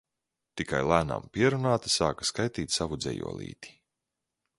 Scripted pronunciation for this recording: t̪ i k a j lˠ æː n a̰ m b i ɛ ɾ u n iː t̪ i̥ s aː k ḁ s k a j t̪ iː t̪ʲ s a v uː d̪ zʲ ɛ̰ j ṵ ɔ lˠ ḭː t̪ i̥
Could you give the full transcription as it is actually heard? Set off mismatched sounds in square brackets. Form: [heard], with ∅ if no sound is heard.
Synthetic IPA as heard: t̪ i k a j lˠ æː n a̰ m [p] i ɛ ɾ u n [aː] t̪ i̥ s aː k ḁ s k a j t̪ iː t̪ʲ s a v [u] d̪ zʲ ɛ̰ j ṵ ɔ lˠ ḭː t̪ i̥